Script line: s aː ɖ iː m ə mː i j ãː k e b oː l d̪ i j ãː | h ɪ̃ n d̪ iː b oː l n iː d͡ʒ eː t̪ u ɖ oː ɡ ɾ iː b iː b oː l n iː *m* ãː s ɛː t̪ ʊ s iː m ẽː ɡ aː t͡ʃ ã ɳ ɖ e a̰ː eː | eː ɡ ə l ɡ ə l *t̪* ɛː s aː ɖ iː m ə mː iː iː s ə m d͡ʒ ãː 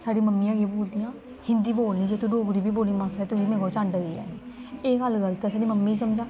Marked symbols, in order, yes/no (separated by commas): yes, yes